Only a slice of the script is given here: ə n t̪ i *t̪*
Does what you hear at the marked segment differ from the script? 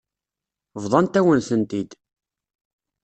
yes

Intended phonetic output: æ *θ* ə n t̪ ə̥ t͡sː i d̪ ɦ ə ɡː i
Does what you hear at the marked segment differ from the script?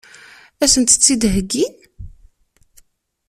yes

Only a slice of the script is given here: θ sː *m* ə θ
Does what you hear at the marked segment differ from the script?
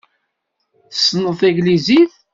yes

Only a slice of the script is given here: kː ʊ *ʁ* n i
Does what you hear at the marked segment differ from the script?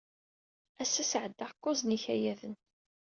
yes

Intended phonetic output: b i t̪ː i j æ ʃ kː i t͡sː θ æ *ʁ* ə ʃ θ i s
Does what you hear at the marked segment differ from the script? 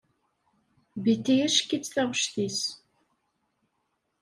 no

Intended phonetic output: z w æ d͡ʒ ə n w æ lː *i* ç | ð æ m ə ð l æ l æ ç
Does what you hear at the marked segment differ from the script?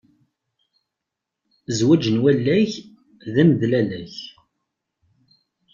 yes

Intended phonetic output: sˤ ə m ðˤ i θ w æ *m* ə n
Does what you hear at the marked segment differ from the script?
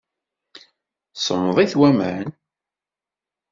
no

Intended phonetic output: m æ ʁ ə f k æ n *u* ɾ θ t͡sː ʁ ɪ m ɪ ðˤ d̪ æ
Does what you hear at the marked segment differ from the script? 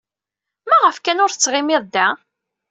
yes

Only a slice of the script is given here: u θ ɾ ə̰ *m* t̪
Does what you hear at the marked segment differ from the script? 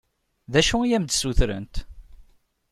yes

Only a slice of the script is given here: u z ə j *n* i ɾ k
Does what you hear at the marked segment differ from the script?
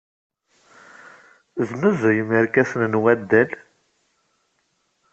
yes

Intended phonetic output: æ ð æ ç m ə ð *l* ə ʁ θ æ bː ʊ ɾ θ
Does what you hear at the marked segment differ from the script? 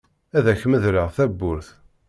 yes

